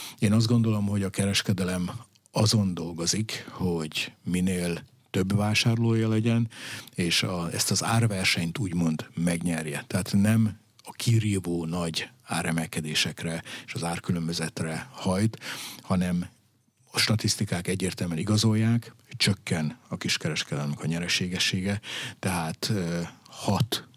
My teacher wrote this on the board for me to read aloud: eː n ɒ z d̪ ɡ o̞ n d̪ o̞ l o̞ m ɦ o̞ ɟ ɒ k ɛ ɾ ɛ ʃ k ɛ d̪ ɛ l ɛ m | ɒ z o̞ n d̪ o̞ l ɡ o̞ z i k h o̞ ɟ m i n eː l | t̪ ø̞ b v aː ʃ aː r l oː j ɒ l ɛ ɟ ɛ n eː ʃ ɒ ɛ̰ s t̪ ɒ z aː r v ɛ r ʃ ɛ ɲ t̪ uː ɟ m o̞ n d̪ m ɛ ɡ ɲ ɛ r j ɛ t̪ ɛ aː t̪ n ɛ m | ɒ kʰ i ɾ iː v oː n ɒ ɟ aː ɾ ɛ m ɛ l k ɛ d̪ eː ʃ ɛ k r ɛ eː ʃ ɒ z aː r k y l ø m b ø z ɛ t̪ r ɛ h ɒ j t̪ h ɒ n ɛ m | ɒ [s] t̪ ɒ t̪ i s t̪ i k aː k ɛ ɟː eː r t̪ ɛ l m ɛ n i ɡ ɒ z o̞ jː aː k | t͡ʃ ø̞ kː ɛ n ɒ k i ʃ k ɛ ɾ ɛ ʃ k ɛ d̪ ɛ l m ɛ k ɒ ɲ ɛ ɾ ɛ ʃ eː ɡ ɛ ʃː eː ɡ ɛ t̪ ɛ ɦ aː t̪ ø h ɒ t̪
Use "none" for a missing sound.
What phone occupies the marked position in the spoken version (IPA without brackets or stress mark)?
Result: ʃ